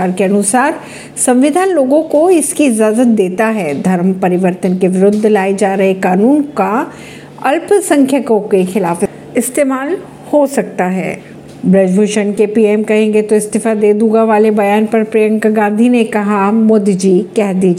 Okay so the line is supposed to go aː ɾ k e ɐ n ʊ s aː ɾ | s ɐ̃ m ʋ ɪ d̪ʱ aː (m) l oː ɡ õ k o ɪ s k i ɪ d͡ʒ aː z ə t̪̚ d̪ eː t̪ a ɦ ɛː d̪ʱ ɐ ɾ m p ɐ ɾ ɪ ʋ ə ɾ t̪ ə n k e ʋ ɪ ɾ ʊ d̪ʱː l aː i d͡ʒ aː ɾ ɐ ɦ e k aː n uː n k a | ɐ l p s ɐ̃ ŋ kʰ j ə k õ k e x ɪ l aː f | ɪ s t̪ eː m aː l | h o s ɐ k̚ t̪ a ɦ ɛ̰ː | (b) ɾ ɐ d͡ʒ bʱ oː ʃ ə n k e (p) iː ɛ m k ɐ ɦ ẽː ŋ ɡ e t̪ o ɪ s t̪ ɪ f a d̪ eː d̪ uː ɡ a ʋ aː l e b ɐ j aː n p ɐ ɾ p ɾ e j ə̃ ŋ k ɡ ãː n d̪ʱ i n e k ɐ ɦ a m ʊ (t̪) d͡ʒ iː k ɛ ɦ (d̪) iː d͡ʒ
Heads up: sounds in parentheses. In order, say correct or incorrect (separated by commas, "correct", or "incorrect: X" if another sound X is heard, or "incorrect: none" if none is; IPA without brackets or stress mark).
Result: incorrect: n, correct, correct, incorrect: d̪, correct